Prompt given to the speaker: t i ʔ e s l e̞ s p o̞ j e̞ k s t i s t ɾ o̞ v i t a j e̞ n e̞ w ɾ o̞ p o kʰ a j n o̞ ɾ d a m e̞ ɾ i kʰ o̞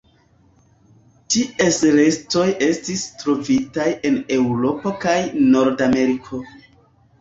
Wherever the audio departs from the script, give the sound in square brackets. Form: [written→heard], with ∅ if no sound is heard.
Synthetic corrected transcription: t i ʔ e s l e̞ s [p→t] o̞ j e̞ [k→∅] s t i s t ɾ o̞ v i t a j e̞ n e̞ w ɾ o̞ p o [kʰ→k] a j n o̞ ɾ d a m e̞ ɾ i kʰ o̞